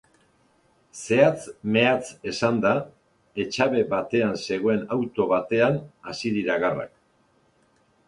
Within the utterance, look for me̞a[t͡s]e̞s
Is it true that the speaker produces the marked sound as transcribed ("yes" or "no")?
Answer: yes